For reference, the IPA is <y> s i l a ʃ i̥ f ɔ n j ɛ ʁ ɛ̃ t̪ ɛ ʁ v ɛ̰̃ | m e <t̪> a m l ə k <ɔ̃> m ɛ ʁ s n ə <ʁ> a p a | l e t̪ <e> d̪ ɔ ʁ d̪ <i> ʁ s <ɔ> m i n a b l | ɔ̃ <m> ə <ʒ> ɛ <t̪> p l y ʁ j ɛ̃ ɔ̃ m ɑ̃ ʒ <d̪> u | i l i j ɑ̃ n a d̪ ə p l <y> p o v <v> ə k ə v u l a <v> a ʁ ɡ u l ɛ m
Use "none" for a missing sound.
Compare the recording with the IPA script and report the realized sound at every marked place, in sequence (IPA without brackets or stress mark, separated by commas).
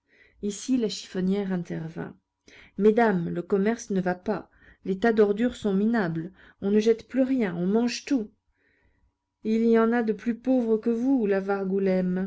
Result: i, d̪, ɔ, v, a, y, ɔ̃, n, ʒ, t̪, t̪, y, ʁ, v